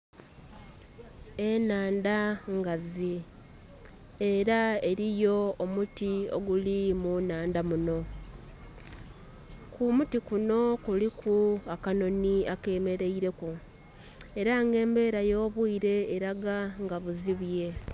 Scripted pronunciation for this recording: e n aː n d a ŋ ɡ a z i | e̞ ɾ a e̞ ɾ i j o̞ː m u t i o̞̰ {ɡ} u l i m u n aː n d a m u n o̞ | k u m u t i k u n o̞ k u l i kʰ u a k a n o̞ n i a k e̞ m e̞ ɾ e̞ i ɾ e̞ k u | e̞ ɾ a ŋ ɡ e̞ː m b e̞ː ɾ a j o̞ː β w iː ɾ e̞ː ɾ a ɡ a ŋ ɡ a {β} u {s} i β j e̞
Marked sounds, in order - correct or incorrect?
correct, correct, incorrect

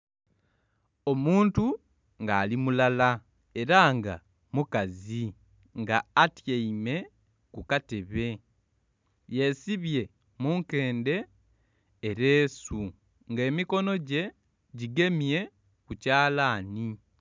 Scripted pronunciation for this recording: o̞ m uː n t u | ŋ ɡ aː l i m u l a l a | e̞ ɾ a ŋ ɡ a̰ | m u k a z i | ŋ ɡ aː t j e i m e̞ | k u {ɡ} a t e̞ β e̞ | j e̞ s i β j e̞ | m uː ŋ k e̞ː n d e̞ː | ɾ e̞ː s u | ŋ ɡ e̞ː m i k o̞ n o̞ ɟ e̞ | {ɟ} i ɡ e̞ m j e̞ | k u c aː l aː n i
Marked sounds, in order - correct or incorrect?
incorrect, correct

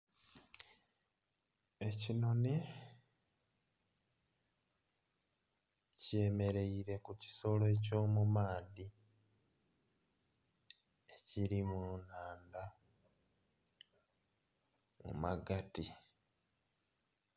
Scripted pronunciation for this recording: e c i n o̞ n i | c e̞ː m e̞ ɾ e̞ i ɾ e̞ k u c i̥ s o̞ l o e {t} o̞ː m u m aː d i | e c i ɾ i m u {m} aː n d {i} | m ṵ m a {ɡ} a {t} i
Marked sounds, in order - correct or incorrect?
incorrect, incorrect, incorrect, correct, correct

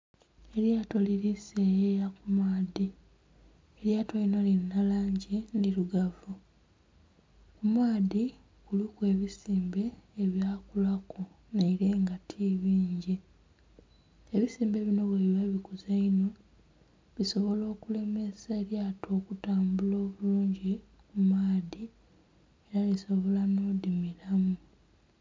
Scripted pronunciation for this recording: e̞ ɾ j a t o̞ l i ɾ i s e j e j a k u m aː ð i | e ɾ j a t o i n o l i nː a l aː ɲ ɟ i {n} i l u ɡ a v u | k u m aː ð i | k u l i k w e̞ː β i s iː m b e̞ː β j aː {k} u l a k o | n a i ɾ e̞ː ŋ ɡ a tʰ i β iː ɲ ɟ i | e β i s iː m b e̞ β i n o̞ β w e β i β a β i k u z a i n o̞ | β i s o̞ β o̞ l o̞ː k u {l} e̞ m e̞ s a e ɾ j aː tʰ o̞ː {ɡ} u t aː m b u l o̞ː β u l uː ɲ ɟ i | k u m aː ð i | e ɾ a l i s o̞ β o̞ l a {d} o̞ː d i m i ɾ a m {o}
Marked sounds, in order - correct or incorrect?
correct, correct, correct, incorrect, incorrect, incorrect

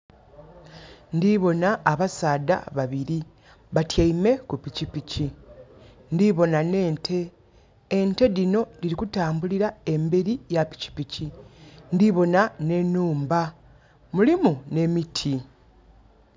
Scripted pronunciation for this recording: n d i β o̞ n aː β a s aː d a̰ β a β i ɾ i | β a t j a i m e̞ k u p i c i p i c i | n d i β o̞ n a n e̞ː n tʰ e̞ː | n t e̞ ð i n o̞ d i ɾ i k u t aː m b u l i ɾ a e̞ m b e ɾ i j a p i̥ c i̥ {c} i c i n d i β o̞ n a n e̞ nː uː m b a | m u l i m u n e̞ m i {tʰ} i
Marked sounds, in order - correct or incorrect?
incorrect, correct

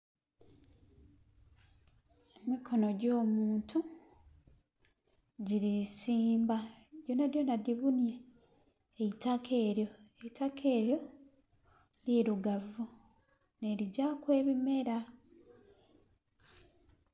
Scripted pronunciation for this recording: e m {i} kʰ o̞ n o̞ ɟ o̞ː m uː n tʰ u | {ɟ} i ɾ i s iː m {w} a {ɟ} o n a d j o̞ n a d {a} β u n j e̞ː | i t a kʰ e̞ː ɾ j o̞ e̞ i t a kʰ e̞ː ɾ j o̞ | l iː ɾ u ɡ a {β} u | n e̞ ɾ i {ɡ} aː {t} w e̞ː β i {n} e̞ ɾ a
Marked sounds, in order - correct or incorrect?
correct, correct, incorrect, correct, incorrect, incorrect, incorrect, incorrect, incorrect

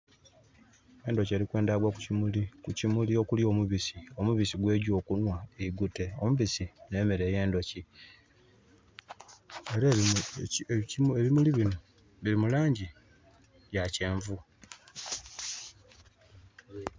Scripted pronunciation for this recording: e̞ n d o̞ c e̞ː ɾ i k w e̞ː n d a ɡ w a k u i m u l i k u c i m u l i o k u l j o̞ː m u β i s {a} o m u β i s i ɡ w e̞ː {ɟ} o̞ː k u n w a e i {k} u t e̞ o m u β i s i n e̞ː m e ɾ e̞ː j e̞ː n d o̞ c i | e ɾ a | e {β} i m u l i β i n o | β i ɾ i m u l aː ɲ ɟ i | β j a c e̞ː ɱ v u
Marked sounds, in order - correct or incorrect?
incorrect, correct, incorrect, correct

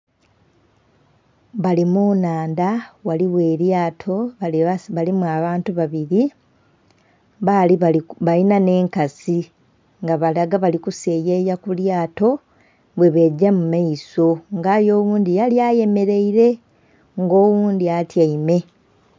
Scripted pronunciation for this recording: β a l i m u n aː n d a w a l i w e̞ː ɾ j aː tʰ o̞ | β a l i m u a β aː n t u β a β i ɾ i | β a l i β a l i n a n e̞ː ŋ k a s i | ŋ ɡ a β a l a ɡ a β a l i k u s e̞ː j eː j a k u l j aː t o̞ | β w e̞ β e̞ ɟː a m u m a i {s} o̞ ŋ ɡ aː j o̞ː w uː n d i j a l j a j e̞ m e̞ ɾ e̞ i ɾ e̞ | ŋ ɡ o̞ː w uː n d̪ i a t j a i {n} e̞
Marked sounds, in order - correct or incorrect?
correct, incorrect

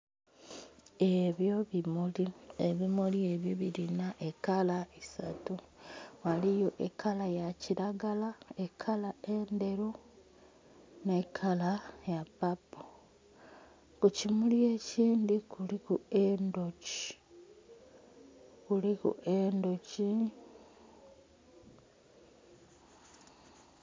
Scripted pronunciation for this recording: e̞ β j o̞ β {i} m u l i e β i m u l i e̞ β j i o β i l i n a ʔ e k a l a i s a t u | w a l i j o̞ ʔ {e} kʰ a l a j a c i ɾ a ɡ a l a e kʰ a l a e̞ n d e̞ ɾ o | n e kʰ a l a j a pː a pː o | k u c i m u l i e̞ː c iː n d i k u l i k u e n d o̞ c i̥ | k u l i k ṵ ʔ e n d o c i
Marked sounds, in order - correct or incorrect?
correct, correct

